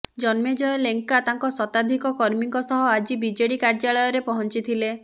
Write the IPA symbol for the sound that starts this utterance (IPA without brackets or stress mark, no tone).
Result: d͡ʒ